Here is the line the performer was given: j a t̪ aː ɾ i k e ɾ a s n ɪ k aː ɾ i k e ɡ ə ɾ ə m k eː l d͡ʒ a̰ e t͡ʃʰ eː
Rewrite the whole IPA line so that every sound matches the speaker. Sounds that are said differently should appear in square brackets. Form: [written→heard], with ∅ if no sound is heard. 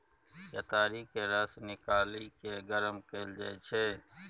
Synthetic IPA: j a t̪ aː ɾ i k e ɾ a s n ɪ k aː [ɾ→l] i k e ɡ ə ɾ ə m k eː l d͡ʒ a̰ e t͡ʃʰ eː